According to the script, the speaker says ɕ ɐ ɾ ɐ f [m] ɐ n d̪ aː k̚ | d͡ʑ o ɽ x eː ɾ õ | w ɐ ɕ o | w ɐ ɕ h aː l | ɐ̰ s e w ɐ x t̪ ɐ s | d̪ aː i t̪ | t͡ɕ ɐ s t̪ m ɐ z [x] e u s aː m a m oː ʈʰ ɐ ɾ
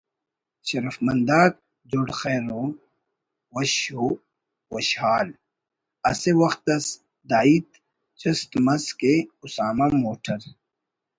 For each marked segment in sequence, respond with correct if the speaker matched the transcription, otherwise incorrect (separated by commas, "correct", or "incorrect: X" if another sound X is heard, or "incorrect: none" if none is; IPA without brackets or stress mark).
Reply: correct, incorrect: k